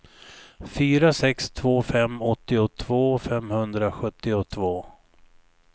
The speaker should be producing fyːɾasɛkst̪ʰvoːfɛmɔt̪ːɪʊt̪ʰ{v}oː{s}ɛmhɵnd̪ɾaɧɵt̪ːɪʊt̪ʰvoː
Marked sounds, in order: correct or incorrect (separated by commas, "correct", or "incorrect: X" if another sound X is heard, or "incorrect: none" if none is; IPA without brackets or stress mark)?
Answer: correct, incorrect: f